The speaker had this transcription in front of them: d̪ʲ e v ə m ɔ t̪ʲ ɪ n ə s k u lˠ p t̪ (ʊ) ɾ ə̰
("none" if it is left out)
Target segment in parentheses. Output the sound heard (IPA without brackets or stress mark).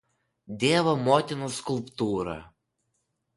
u